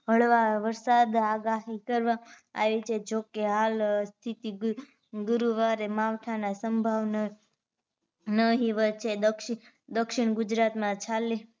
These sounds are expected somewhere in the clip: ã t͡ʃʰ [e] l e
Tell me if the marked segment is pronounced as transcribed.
no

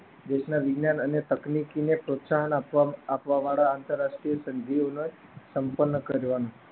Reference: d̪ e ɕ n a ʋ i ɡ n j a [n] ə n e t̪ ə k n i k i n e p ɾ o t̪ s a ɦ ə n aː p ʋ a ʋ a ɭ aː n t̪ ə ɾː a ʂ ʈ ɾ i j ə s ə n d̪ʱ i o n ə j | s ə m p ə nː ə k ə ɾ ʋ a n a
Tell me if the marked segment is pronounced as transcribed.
yes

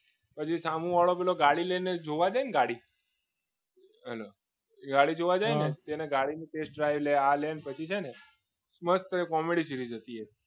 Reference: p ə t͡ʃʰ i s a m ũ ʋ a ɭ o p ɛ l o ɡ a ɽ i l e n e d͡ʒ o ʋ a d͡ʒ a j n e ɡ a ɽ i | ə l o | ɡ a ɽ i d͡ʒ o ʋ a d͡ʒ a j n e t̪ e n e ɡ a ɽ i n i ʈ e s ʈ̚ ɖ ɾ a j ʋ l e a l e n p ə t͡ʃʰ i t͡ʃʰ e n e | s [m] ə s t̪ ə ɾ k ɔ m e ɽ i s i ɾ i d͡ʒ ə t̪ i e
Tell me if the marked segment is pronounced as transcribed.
yes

